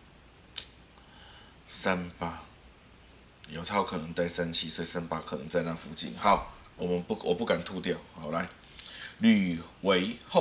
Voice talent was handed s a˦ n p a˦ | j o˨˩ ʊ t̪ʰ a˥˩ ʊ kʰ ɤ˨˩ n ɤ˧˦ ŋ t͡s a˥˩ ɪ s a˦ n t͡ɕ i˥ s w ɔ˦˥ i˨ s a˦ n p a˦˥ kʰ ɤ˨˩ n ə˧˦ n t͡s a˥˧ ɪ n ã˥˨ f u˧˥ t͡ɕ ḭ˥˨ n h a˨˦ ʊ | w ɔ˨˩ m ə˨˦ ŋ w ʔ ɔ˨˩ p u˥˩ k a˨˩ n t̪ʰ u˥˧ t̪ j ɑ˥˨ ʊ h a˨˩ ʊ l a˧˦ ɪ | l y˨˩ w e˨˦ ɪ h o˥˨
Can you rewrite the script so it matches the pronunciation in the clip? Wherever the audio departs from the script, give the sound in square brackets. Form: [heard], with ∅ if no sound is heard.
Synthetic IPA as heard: s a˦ n p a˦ | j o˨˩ ʊ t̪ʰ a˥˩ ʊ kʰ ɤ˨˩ n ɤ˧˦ ŋ t͡s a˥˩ ɪ s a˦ n [t͡ɕʰ] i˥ s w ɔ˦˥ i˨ s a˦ n p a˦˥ kʰ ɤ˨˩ n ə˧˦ [ŋ] t͡s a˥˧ ɪ n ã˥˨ f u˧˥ t͡ɕ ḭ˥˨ n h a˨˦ ʊ | w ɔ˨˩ m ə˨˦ [n] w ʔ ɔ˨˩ p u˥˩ k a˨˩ n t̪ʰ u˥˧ t̪ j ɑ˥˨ ʊ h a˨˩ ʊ l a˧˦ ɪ | l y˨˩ w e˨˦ ɪ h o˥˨